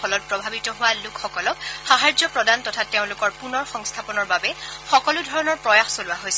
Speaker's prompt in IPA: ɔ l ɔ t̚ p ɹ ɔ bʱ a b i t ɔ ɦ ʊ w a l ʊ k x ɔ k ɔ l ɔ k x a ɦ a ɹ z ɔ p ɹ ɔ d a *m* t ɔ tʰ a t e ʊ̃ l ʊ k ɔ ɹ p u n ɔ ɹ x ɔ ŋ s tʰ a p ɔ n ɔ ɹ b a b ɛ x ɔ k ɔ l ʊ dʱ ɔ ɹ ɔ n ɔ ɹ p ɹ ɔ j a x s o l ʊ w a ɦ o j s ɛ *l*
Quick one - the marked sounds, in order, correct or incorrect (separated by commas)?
incorrect, incorrect